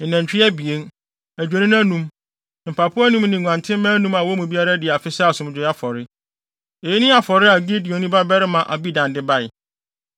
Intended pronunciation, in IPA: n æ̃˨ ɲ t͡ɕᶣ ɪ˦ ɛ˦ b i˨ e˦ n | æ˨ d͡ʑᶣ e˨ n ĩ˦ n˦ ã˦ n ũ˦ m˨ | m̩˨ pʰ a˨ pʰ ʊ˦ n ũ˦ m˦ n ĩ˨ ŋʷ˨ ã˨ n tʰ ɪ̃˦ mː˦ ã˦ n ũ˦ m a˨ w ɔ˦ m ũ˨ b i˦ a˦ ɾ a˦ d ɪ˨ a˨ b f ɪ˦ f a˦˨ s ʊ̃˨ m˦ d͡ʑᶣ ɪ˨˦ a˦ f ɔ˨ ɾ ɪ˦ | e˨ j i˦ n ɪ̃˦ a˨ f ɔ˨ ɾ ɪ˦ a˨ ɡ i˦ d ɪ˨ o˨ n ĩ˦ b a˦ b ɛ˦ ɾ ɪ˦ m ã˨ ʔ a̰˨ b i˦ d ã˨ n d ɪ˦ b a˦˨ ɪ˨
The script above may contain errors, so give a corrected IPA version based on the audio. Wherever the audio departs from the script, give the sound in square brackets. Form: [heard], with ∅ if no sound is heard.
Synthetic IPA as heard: n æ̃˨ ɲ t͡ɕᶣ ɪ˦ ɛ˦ b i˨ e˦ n | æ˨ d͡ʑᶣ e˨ n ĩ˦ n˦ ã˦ n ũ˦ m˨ | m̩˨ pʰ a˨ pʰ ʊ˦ n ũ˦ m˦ n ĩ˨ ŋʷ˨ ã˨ n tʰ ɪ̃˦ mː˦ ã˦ n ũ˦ m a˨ w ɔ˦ m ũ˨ b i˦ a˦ ɾ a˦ d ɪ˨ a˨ [∅] f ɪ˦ [s] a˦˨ s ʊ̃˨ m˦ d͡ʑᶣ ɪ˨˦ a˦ f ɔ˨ ɾ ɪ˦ | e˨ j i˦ n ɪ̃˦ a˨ f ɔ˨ ɾ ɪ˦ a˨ ɡ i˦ d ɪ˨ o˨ n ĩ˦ b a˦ b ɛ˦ ɾ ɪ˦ m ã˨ ʔ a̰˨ b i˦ d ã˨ n d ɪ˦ b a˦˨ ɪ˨